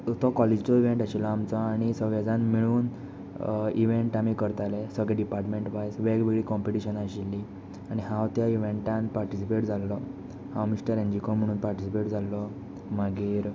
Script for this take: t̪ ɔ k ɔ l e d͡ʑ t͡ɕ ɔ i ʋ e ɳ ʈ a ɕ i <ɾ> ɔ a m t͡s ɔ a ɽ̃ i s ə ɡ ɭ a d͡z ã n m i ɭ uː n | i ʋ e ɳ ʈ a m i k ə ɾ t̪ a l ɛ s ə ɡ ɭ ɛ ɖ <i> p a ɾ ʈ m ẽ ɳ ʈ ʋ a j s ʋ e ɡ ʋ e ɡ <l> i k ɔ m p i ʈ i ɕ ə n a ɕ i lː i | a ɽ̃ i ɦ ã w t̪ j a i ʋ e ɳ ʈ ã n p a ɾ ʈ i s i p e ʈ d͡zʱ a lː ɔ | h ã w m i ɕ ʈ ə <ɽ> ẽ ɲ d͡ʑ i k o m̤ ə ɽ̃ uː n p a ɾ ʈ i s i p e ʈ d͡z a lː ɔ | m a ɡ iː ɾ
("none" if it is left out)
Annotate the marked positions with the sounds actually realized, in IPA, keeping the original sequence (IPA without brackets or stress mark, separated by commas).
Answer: l, i, ɭ, ɾ